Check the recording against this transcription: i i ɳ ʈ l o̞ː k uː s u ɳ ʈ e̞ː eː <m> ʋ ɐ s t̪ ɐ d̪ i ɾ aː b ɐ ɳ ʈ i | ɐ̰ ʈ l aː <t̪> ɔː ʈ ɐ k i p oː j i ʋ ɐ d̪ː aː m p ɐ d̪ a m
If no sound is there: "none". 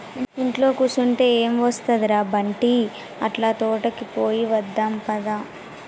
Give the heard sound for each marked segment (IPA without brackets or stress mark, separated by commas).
m, t̪